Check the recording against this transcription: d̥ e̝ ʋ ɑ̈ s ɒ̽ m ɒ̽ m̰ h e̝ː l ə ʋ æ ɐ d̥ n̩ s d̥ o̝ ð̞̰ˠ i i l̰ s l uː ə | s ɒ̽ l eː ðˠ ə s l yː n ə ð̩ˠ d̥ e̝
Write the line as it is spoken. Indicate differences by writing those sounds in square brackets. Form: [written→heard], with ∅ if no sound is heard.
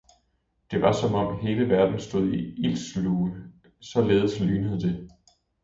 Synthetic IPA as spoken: d̥ e̝ ʋ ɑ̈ s ɒ̽ m ɒ̽ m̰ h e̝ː l ə ʋ æ ɐ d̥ n̩ s d̥ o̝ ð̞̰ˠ i i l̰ s l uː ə | s ɒ̽ l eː ðˠ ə s l yː n ə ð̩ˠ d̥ e̝